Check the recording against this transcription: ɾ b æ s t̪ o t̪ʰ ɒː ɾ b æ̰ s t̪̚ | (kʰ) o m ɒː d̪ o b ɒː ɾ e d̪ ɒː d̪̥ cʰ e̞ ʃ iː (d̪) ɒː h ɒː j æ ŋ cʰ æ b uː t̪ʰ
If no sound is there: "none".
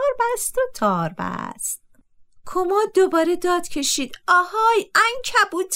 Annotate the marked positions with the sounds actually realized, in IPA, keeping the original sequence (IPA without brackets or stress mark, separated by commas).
kʰ, d̪